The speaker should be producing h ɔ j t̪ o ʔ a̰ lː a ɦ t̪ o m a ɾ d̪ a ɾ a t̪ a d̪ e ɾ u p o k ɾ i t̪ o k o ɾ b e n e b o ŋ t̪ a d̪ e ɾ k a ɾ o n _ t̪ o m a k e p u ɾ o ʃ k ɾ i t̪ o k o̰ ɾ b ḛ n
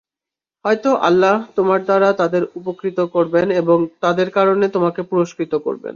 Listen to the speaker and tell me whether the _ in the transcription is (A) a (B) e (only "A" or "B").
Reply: B